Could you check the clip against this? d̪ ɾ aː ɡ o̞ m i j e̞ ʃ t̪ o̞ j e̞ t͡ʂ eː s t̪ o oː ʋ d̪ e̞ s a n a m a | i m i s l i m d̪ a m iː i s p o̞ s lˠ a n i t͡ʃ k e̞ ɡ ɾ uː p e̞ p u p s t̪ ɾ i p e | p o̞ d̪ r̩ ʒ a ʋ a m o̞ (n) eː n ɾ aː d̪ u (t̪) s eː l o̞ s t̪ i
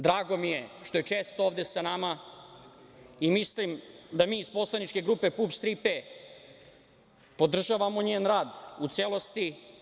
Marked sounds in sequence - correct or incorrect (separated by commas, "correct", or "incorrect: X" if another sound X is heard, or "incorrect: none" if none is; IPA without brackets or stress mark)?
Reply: incorrect: ɲ, correct